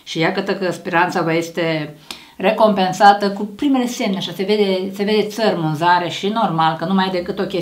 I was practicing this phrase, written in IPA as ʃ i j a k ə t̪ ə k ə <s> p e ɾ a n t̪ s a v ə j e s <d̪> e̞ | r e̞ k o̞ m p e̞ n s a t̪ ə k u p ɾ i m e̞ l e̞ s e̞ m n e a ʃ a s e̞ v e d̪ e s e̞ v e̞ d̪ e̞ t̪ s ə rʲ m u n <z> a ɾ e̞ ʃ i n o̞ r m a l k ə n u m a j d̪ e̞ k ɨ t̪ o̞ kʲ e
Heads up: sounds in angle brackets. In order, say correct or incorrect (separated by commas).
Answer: correct, incorrect, correct